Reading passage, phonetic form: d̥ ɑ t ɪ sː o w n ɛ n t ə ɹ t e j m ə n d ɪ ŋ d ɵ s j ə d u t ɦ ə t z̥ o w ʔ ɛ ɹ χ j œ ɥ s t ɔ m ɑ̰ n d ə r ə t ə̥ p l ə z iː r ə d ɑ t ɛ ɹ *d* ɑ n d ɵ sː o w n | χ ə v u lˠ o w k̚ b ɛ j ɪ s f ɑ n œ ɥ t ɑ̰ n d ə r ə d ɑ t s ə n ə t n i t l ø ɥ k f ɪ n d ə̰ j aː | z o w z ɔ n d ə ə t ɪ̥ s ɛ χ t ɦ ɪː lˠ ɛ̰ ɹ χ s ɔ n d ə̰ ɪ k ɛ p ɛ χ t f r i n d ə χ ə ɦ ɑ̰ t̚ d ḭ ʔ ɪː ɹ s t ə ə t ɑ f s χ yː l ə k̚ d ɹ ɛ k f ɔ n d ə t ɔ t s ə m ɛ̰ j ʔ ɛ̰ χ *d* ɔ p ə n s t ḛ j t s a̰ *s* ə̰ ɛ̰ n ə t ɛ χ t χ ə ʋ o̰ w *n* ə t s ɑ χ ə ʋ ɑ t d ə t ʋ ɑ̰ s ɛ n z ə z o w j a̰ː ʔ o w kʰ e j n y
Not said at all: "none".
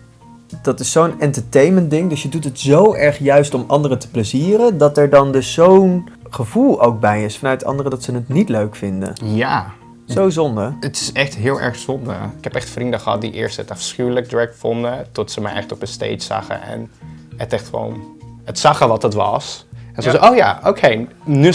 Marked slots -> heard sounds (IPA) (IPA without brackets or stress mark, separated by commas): d, t, χ, n